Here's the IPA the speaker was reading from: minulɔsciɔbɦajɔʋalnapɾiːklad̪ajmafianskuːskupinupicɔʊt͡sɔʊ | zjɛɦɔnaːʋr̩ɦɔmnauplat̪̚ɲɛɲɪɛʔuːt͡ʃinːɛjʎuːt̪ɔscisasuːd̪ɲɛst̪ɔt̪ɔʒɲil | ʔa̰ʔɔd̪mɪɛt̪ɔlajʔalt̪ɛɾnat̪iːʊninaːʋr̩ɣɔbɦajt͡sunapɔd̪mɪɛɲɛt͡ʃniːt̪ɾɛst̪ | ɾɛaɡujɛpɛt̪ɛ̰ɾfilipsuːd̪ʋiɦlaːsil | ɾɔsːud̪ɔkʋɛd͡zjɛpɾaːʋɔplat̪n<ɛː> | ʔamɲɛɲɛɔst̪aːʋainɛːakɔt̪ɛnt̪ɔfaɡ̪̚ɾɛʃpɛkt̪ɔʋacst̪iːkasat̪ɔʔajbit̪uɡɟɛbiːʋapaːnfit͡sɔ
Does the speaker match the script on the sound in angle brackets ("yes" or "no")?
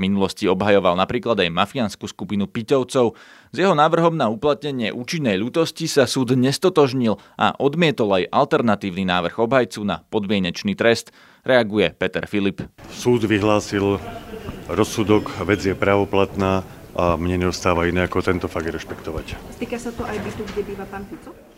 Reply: no